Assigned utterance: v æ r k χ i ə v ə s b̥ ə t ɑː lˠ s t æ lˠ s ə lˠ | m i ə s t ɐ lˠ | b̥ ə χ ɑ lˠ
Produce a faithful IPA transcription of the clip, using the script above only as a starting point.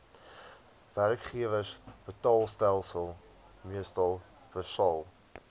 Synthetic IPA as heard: v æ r k χ i ə v ə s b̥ ə t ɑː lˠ s t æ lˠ s ə lˠ | m i ə s t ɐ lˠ | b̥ ə s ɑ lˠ